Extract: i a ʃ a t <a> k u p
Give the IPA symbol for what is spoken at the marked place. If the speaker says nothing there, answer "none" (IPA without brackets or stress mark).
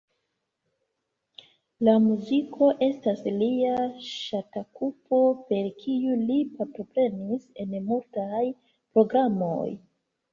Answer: a